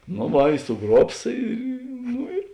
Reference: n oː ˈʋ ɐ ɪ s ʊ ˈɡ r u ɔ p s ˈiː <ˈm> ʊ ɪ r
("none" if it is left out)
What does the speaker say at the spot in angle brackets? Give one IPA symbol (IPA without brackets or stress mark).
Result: n